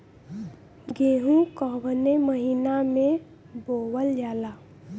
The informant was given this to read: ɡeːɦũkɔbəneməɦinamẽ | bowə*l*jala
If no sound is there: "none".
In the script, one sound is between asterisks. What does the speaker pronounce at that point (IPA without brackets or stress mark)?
l